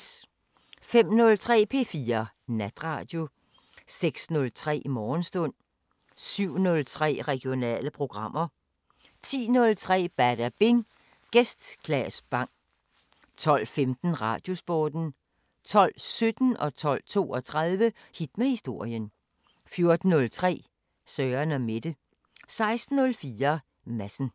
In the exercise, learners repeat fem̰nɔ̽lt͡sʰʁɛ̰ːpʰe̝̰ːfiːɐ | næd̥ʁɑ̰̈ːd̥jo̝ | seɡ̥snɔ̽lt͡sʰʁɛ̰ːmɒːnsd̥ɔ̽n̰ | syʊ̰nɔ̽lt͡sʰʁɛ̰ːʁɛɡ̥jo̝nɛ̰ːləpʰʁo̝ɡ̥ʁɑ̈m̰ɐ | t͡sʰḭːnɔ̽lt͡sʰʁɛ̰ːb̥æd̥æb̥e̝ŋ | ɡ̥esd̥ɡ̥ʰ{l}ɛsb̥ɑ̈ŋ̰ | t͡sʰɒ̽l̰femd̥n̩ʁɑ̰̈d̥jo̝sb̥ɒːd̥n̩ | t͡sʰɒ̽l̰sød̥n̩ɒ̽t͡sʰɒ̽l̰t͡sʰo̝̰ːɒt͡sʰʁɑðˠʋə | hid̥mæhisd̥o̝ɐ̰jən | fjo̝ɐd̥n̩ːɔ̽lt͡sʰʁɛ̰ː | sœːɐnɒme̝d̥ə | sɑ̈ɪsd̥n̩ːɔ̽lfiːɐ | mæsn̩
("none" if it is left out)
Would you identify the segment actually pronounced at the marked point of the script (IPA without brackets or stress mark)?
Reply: l